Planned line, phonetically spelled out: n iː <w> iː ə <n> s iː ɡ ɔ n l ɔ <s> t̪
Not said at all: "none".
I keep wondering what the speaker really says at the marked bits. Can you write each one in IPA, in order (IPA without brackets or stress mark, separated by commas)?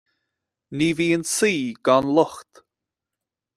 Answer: v, n, x